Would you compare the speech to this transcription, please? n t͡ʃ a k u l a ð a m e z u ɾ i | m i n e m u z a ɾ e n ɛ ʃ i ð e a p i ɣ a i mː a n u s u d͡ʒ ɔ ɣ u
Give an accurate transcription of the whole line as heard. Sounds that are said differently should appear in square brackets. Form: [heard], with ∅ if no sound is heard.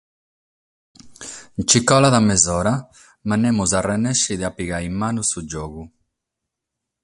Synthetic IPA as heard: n t͡ʃ [i] k [ɔ] l a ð a m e z [ɔ] ɾ [a] | m [a] n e m u z a [r] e n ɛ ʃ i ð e a p i ɣ a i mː a n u s u d͡ʒ ɔ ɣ u